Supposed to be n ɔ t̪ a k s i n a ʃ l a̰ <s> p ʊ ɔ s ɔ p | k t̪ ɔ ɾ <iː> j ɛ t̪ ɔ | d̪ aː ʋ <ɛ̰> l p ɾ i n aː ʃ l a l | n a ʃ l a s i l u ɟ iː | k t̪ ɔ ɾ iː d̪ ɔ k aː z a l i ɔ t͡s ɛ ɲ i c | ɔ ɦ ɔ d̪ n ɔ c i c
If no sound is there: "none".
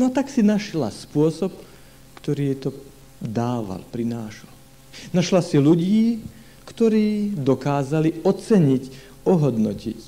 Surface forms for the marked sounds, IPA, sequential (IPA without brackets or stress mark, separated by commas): s, iː, a̰